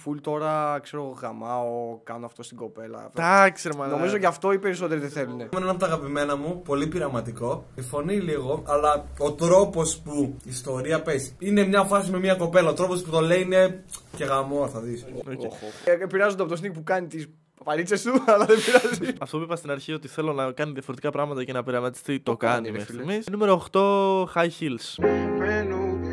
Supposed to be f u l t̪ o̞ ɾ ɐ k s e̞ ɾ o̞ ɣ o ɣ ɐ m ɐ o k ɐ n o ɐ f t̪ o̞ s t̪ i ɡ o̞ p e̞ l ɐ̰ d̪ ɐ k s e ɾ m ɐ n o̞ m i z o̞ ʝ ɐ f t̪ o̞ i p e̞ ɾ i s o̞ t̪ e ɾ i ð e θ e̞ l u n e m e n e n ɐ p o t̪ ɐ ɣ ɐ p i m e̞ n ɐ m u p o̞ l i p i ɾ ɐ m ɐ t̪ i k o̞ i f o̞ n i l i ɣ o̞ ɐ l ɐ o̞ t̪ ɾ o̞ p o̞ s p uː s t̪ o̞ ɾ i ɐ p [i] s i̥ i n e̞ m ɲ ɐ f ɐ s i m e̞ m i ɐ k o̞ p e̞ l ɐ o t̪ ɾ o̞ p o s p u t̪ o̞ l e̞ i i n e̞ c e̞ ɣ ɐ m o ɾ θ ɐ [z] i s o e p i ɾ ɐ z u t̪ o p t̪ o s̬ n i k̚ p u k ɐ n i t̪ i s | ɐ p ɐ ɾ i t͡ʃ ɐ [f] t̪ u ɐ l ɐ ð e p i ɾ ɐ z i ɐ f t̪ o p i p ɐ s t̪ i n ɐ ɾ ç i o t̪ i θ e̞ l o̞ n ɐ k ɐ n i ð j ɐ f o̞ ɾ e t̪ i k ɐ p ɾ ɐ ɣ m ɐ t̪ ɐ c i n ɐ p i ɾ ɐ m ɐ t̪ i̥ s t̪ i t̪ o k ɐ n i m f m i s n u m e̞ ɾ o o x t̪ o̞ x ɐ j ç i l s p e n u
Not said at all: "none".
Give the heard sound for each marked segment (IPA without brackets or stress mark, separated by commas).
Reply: e, ð, s